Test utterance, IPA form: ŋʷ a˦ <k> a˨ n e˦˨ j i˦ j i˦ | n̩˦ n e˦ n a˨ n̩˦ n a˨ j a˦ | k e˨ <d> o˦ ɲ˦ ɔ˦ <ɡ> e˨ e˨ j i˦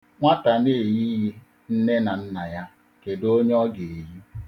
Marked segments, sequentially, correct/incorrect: incorrect, correct, correct

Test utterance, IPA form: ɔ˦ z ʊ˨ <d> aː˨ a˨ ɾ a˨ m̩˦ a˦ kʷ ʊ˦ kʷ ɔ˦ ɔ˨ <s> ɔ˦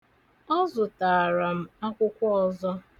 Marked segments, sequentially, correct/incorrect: incorrect, incorrect

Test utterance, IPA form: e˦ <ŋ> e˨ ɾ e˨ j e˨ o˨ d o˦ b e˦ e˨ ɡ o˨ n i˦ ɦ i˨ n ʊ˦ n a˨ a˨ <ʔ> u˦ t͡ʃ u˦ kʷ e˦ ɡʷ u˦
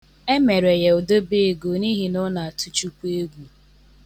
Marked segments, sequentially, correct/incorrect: incorrect, incorrect

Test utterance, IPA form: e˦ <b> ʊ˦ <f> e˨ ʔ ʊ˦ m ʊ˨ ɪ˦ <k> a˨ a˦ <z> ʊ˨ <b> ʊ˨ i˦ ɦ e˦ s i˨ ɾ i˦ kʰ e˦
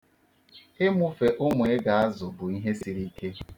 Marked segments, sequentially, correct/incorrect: incorrect, correct, incorrect, correct, correct

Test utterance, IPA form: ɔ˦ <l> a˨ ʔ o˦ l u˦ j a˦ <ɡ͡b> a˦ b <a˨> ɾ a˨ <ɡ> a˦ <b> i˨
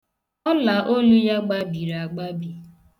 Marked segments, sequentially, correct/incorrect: correct, correct, incorrect, incorrect, correct

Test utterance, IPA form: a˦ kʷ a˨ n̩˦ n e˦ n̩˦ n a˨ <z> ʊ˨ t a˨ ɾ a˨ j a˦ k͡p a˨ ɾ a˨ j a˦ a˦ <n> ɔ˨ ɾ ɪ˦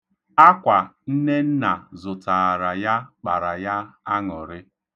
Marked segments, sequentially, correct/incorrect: correct, incorrect

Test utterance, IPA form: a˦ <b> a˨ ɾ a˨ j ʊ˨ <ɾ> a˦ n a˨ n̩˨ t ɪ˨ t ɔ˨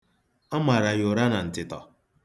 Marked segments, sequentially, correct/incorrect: incorrect, correct

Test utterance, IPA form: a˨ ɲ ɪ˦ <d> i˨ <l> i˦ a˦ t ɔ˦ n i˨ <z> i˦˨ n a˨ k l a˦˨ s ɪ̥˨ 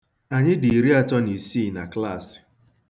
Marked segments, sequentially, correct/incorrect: correct, incorrect, incorrect

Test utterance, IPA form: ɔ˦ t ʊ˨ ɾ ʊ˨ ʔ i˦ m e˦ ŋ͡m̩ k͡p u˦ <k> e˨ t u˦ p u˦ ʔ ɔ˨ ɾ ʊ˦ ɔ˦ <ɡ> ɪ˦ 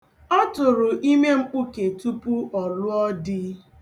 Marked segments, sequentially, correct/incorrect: correct, incorrect

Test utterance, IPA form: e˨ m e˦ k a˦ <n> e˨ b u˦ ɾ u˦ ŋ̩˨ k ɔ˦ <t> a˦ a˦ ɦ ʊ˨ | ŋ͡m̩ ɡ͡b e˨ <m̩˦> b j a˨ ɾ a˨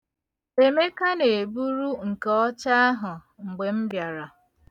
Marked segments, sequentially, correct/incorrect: correct, incorrect, correct

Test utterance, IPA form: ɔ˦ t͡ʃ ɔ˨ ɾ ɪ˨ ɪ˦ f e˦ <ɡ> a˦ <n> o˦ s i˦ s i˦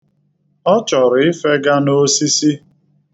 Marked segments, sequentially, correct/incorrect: correct, correct

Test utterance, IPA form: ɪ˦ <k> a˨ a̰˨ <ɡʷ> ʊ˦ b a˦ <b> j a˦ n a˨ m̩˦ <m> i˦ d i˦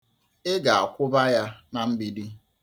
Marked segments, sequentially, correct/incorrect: incorrect, incorrect, incorrect, incorrect

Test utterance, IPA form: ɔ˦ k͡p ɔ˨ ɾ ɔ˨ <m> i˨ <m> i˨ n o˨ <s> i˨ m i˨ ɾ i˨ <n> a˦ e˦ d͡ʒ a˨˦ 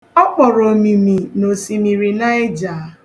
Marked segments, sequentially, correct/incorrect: correct, correct, correct, correct

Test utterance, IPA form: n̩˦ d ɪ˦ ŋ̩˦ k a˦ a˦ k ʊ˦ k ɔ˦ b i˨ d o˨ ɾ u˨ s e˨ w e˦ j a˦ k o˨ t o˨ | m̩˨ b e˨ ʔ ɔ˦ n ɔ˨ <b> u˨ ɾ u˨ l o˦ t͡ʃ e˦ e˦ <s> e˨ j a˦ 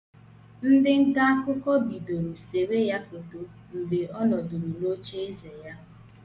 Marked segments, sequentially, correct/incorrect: incorrect, incorrect

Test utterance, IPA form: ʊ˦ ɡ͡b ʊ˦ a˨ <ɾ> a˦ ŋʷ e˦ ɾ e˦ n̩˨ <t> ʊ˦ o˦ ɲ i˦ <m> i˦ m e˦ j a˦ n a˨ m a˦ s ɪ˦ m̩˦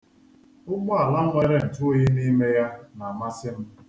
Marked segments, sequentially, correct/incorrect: incorrect, correct, incorrect

